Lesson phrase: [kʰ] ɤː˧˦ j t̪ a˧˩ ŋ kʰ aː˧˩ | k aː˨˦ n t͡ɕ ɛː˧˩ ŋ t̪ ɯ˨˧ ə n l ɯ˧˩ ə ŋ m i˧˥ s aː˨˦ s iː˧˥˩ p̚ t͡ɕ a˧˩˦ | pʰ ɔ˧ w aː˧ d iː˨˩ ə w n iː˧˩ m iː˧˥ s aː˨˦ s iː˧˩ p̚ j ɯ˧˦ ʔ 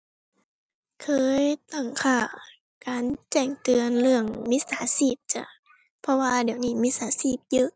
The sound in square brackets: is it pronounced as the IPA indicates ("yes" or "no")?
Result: yes